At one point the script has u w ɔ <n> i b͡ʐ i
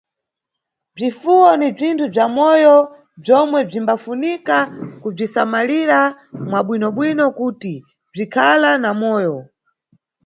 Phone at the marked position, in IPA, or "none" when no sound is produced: n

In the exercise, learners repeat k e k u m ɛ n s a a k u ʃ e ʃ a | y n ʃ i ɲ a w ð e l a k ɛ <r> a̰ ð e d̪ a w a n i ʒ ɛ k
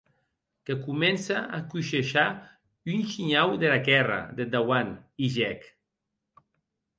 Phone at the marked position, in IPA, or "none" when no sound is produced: r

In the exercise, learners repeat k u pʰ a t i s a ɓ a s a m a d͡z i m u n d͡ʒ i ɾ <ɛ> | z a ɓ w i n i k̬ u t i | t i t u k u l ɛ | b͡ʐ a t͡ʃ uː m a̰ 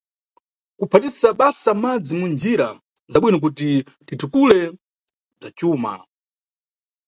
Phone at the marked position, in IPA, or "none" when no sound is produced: a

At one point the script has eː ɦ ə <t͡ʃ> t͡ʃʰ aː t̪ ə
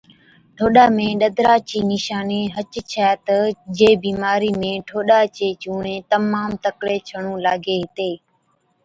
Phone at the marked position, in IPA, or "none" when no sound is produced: t͡ʃ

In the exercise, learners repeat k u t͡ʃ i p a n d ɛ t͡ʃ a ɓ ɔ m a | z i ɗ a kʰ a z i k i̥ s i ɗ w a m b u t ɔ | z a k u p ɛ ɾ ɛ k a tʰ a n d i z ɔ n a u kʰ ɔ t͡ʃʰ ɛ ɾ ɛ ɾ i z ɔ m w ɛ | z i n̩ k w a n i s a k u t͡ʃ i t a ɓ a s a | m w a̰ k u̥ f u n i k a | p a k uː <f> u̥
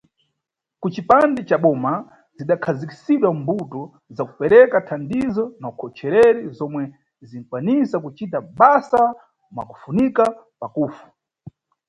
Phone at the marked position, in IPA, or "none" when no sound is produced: f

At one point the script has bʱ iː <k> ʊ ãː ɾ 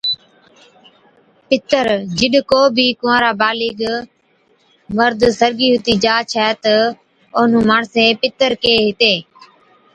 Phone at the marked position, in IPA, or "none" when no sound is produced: k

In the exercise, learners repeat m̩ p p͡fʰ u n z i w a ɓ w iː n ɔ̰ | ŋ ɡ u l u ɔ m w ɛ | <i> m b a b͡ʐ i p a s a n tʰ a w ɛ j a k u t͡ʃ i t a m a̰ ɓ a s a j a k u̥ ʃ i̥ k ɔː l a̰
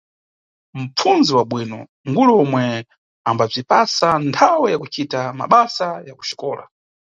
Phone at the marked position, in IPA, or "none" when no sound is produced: a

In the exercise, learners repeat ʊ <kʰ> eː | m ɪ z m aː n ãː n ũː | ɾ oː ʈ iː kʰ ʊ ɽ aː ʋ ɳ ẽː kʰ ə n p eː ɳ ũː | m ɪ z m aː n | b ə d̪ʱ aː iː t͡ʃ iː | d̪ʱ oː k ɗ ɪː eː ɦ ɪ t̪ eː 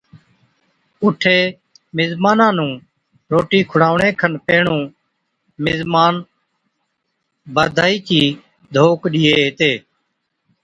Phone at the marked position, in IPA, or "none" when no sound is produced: ʈʰ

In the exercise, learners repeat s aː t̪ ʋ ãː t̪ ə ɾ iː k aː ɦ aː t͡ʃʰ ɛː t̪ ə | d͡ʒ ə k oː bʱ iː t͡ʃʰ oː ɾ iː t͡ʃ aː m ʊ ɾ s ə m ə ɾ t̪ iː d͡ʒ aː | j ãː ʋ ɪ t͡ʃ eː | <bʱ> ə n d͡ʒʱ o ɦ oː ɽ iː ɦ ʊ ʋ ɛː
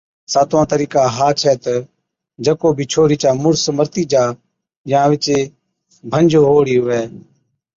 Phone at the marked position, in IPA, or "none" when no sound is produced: bʱ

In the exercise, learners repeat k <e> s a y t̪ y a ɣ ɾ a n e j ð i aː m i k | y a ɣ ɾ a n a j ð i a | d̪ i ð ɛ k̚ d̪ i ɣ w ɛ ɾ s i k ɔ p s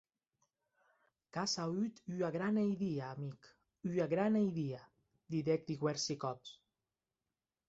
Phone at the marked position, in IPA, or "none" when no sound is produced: a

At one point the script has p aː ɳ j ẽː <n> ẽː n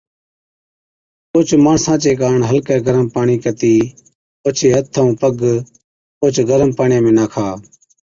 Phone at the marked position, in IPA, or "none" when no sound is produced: m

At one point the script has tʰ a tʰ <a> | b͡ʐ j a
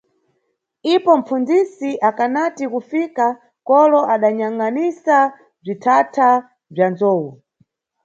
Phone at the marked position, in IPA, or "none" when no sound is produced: a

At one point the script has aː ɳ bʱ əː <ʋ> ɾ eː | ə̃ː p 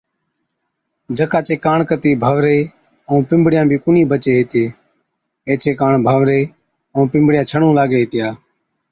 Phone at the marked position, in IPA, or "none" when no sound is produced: ʋ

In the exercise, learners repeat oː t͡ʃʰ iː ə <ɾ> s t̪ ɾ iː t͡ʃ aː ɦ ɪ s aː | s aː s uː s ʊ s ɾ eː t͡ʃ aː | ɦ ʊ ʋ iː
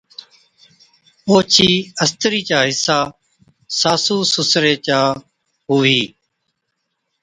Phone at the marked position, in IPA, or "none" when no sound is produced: none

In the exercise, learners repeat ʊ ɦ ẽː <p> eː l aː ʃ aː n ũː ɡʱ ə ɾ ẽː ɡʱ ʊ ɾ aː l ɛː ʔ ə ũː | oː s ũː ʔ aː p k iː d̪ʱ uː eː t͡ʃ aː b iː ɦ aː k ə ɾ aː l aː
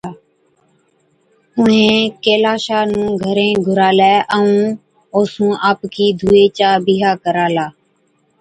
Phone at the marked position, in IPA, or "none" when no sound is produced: k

